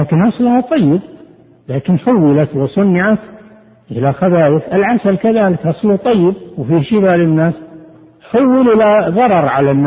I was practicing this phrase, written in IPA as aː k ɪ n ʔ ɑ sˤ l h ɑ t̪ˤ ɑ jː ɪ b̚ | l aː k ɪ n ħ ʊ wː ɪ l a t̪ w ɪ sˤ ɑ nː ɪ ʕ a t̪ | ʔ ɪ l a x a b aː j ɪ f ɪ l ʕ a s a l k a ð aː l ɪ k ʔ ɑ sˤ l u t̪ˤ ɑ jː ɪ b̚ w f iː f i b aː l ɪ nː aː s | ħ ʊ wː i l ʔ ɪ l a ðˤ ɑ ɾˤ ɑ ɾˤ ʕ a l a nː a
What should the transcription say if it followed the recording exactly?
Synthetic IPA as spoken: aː k ɪ n ʔ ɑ sˤ l h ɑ t̪ˤ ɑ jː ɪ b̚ | l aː k ɪ n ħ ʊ wː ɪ l a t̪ w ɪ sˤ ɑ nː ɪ ʕ a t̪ | ʔ ɪ l a x a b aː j ɪ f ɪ l ʕ a s a l k a ð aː l ɪ k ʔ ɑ sˤ l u t̪ˤ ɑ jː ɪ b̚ w f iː ʃ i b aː l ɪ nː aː s | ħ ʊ wː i l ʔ ɪ l a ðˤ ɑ ɾˤ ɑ ɾˤ ʕ a l a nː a